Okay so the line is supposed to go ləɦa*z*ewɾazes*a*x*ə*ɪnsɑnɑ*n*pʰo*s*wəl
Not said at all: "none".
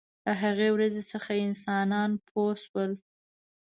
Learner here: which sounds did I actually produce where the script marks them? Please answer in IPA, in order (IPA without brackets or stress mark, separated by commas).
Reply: ɣ, ə, a, n, s